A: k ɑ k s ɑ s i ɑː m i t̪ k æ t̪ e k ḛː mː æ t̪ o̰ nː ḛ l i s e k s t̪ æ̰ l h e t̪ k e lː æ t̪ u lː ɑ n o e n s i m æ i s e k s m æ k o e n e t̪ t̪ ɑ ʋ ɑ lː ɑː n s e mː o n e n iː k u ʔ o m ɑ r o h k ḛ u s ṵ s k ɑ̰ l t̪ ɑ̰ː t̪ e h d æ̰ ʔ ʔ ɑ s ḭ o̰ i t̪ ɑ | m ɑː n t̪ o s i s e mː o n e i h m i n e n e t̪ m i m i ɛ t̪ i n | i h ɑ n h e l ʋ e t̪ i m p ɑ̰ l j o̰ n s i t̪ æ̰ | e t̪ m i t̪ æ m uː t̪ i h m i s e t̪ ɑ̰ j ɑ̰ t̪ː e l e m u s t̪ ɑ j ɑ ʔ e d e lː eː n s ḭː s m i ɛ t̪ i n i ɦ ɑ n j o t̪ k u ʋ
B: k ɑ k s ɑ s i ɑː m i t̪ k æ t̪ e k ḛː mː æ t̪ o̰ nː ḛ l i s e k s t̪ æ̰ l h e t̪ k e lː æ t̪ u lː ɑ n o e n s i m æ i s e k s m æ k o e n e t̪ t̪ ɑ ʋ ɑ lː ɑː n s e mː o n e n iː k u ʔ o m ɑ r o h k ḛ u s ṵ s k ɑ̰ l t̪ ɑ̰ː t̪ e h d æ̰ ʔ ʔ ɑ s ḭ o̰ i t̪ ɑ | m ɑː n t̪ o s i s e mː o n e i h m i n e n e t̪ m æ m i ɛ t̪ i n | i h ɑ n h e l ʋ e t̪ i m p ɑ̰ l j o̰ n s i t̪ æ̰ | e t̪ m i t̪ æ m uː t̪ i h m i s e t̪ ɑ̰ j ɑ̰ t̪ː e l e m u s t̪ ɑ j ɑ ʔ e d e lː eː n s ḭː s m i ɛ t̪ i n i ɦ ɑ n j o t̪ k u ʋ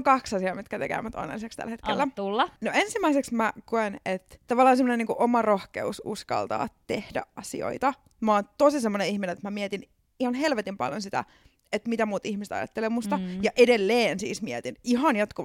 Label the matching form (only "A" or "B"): B